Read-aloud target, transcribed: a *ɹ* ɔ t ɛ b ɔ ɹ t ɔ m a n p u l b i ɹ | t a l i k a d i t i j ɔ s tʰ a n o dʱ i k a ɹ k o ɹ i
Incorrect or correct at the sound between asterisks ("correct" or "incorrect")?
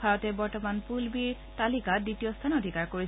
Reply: correct